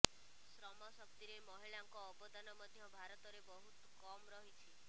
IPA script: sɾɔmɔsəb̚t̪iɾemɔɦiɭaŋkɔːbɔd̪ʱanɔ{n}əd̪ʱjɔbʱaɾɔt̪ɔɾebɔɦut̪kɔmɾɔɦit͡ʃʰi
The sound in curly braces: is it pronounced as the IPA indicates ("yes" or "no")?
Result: no